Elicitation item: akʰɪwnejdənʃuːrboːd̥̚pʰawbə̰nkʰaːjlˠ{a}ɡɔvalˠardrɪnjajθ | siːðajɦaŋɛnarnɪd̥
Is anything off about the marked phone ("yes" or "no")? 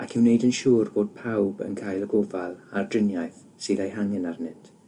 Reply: yes